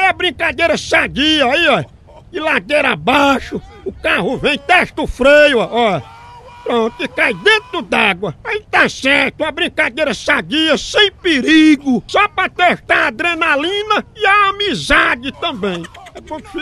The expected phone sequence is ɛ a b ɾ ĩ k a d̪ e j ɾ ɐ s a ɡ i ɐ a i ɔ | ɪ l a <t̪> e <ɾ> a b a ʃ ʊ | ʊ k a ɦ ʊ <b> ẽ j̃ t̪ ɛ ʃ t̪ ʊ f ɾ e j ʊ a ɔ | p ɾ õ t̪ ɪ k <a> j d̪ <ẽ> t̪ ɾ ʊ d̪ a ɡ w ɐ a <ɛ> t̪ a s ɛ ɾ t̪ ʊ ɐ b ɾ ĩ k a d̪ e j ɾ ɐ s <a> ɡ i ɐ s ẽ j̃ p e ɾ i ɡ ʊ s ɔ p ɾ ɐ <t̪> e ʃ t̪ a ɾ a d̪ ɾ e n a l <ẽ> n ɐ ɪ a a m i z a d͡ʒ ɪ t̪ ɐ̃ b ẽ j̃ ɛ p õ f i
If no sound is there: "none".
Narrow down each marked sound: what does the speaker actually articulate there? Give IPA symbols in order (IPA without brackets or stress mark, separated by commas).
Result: d̪, ɾ, v, a, ẽ, i, a, t̪, ĩ